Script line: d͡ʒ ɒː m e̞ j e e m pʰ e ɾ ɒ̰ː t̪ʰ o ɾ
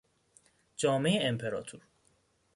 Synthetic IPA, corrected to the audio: d͡ʒ ɒː m e̞ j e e m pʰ e ɾ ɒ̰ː t̪ʰ u ɾ